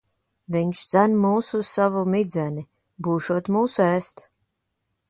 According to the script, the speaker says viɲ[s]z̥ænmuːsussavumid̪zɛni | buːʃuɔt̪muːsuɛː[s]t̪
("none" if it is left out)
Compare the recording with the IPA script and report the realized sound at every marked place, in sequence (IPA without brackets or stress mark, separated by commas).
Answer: ʃ, s